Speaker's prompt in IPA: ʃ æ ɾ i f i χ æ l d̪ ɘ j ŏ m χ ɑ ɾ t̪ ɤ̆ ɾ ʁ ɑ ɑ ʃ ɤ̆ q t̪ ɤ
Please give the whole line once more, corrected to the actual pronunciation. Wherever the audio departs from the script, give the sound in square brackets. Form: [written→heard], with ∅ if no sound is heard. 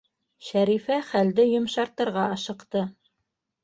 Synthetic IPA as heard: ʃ æ ɾ i f [i→æ] χ æ l d̪ ɘ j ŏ m [χ→ʃ] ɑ ɾ t̪ ɤ̆ ɾ ʁ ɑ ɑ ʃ ɤ̆ q t̪ ɤ